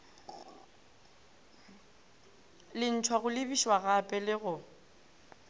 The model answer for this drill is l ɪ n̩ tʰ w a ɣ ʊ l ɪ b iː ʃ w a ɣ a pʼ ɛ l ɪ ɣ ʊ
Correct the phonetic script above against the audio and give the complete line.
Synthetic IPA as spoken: l ɪ n̩ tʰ w a ɣ ʊ l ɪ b i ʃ w a ɣ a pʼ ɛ l ɪ ɣ ʊ

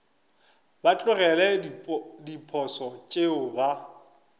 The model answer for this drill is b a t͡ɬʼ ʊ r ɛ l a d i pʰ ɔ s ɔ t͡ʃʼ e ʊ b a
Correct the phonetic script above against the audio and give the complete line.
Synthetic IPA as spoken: b a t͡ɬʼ ʊ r ɛ l ɛ d i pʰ ɔ s ɔ t͡ʃʼ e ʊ b a

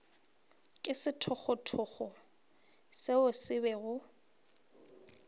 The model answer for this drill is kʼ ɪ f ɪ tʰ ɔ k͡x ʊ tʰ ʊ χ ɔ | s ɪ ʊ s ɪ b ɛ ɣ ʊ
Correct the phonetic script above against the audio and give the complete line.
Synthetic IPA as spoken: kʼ ɪ s ɪ tʰ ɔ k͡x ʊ tʰ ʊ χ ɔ | s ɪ ʊ s ɪ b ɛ ɣ ʊ

